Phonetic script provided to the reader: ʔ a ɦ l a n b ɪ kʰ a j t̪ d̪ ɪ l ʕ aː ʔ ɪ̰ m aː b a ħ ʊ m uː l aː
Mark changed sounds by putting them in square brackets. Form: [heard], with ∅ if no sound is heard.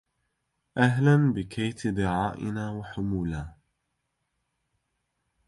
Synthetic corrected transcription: ʔ a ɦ l a n b ɪ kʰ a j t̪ d̪ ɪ [∅] ʕ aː ʔ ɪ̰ [n] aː [w] a ħ ʊ m uː l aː

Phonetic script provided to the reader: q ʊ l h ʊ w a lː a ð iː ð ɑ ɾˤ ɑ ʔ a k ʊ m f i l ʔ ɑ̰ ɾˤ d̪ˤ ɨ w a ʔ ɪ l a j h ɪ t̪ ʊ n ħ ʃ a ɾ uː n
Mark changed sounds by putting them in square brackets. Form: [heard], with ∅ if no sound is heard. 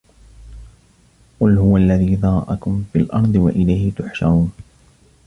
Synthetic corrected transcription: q ʊ l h ʊ w a lː a ð iː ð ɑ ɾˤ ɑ ʔ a k ʊ m f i l ʔ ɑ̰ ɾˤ d̪ˤ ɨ w a ʔ ɪ l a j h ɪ t̪ ʊ [∅] ħ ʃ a ɾ uː n

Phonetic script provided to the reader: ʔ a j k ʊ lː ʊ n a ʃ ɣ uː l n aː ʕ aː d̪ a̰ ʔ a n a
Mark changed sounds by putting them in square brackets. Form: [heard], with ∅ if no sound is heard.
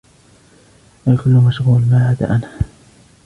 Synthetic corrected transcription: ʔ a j k ʊ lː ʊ [m] a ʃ ɣ uː l [m] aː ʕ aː d̪ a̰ ʔ a n a

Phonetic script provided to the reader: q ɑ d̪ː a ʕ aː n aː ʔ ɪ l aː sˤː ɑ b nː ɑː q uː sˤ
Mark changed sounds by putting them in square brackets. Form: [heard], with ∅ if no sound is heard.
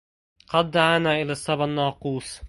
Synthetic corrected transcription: q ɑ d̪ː a ʕ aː n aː ʔ ɪ l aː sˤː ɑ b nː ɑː q uː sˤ

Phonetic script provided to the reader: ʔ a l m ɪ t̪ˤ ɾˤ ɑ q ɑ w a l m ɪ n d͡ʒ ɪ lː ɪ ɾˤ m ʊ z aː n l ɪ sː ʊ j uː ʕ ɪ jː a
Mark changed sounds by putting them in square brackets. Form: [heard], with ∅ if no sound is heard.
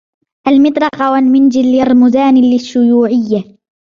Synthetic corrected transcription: ʔ a l m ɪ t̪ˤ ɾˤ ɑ q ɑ w a l m ɪ n d͡ʒ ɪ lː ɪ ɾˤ m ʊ z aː n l ɪ [ʃː] ʊ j uː ʕ ɪ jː a

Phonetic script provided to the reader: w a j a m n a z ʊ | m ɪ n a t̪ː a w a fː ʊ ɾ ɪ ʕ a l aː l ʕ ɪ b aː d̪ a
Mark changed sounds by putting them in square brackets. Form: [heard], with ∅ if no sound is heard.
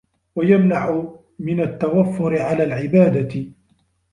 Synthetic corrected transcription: w a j a m n a [ʕ] ʊ | m ɪ n a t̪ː a w a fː ʊ ɾ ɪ ʕ a l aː l ʕ ɪ b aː d̪ a

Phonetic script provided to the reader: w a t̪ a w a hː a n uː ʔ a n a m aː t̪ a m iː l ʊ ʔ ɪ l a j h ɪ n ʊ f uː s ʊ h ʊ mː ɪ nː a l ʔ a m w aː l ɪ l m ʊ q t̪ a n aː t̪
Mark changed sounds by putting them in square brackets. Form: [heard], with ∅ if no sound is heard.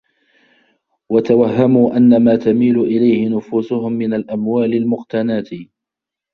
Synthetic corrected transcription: w a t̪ a w a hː a [m] uː ʔ a [nː] a m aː t̪ a m iː l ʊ ʔ ɪ l a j h ɪ n ʊ f uː s ʊ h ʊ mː ɪ [n] a l ʔ a m w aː l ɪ l m ʊ q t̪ a n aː t̪

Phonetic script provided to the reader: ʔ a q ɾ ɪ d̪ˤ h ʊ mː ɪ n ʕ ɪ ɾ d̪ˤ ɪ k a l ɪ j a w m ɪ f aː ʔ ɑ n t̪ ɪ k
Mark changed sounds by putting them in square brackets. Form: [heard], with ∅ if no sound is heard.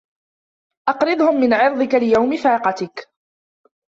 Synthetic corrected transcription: ʔ [ɑ] q ɾ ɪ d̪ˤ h ʊ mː ɪ n ʕ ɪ ɾ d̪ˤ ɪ k a l ɪ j a w m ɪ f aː [q] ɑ [∅] t̪ ɪ k

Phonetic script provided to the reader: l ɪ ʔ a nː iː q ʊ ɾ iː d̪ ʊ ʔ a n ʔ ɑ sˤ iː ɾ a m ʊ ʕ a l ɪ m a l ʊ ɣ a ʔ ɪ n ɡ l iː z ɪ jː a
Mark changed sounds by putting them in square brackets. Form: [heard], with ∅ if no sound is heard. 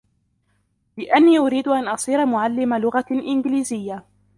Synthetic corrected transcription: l ɪ ʔ a nː iː [ʔ] ʊ ɾ iː d̪ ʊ ʔ a n ʔ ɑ sˤ iː ɾ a m ʊ ʕ a [lː] ɪ m a l ʊ ɣ a ʔ ɪ n ɡ l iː z ɪ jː a

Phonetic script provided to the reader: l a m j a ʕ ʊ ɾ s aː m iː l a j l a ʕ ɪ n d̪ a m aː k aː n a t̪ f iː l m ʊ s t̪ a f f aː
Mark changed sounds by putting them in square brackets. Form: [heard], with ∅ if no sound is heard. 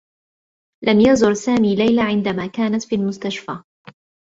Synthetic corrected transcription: l a m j a [z] ʊ ɾ s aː m iː l a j l a ʕ ɪ n d̪ a m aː k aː n a t̪ f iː l m ʊ s t̪ a [ʃ] f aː

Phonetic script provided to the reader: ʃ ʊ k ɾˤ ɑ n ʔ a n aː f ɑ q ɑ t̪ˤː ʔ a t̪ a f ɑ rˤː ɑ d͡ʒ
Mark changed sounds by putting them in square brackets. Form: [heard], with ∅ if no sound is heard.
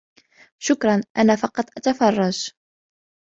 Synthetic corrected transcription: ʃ ʊ k ɾˤ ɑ n ʔ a n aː f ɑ q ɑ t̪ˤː ʔ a t̪ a f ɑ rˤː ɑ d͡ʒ

